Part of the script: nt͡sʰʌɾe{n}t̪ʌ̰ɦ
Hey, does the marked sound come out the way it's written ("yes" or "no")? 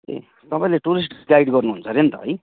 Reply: yes